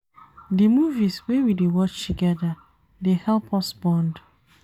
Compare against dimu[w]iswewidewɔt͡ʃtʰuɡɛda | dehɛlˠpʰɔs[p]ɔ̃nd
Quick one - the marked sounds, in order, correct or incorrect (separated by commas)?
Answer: incorrect, incorrect